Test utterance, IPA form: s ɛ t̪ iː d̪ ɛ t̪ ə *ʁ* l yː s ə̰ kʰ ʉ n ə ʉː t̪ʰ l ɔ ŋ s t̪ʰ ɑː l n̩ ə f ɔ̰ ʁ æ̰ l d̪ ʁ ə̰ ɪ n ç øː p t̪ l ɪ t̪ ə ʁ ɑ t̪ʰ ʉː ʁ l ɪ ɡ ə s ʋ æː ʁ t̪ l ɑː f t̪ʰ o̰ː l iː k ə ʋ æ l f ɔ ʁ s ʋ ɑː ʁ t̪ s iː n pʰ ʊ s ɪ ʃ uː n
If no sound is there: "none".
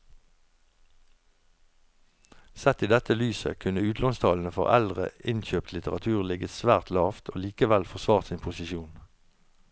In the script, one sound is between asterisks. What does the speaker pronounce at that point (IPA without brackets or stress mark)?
none